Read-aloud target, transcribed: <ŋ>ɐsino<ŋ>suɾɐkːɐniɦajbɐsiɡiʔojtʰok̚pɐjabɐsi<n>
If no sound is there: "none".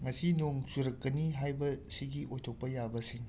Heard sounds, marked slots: ŋ, ŋ, ŋ

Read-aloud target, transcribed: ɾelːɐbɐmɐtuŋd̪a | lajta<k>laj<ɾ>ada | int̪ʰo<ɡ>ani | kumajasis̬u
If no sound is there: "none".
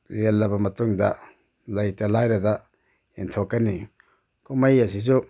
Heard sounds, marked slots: none, ɾ, k

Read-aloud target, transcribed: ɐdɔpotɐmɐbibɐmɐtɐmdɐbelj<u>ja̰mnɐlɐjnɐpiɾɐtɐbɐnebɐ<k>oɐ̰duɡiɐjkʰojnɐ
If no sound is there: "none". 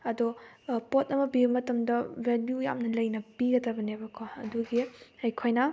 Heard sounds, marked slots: u, kʰ

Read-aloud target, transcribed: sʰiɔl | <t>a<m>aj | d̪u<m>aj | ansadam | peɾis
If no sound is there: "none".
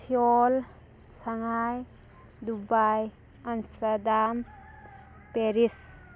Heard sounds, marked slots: s, ŋ, b

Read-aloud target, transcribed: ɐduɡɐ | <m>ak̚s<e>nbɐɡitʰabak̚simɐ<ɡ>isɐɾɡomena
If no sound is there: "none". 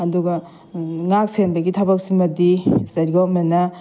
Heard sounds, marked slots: ŋ, e, d

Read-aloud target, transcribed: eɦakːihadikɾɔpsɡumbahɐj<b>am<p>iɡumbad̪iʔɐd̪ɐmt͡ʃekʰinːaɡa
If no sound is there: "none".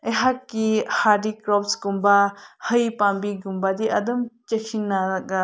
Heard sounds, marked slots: p, b

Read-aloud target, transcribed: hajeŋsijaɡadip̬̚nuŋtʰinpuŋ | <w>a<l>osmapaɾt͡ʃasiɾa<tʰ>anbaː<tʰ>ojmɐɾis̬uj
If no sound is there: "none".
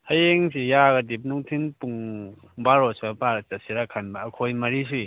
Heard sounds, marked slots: b, ɾ, kʰ, kʰ

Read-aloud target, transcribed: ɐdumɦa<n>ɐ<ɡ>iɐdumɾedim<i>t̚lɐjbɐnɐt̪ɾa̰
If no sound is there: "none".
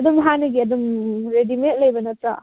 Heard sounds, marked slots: n, ɡ, e

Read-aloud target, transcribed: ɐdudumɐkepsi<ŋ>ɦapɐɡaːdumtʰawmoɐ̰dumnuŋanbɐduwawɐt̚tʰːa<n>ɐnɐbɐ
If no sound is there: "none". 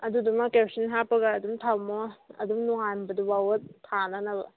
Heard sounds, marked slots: n, n

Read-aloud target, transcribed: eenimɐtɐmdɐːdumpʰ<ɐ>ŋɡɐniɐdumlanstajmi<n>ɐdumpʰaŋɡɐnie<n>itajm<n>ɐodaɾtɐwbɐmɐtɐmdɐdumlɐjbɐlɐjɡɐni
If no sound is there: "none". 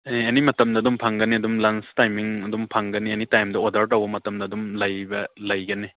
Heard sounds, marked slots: a, ŋ, n, d

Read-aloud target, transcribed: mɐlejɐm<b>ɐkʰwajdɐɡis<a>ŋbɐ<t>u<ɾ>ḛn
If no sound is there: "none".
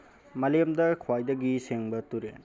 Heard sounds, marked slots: d, e, t, ɾ

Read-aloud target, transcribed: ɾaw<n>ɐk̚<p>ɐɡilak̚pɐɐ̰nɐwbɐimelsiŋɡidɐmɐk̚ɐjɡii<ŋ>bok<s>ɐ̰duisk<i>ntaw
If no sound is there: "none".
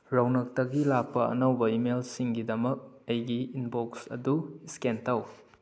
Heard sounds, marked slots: n, t, n, s, e

